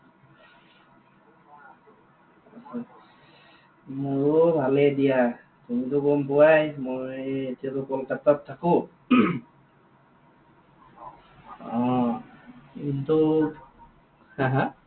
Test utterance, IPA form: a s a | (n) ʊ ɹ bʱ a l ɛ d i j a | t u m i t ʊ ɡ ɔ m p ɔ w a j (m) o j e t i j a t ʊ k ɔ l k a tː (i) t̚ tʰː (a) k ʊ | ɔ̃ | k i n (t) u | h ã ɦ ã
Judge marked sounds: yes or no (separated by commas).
no, yes, no, yes, yes